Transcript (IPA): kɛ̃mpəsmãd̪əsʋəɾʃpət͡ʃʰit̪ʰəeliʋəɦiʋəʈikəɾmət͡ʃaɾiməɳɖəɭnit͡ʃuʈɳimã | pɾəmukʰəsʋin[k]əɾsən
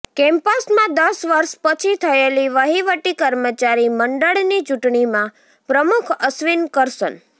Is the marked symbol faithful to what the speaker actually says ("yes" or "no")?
yes